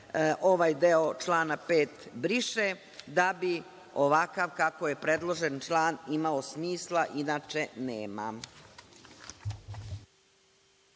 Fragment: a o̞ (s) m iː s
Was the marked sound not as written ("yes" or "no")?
no